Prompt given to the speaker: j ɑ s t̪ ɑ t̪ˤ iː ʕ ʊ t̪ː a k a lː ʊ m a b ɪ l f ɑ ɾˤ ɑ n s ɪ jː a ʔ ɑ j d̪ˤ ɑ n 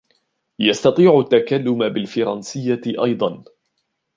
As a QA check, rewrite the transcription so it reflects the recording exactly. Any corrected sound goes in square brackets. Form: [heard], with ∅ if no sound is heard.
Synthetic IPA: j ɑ s t̪ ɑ t̪ˤ iː ʕ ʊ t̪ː a k a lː ʊ m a b ɪ l f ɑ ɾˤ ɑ n s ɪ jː a ʔ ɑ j d̪ˤ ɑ n